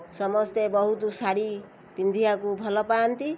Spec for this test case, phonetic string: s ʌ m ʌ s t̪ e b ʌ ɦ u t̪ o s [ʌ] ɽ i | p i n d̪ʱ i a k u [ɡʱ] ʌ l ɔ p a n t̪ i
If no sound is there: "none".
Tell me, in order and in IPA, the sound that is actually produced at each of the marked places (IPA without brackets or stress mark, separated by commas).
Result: a, bʱ